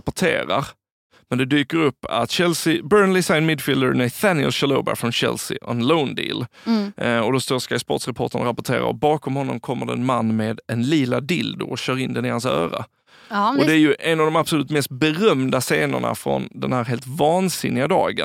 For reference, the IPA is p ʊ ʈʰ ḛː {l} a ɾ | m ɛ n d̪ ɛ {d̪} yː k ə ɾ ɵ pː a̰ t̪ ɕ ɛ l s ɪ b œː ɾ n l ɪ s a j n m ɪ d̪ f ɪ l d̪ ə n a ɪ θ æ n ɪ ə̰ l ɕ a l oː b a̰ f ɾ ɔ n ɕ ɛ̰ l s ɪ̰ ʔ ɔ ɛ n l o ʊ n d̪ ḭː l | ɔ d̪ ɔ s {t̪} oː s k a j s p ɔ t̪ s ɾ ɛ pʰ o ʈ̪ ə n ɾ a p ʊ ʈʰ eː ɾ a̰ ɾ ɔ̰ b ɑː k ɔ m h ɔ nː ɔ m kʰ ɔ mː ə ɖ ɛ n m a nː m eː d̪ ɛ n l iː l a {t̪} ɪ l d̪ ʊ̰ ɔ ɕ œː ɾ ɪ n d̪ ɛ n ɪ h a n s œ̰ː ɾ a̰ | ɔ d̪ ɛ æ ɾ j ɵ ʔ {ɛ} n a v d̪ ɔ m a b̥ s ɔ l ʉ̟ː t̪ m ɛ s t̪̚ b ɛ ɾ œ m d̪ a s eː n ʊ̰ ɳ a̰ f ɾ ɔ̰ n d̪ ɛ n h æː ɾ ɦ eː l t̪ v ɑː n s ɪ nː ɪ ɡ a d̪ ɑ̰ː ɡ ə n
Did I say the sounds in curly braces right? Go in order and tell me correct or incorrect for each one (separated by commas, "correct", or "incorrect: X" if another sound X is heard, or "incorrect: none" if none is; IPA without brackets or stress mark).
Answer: incorrect: ɾ, correct, correct, incorrect: d̪, correct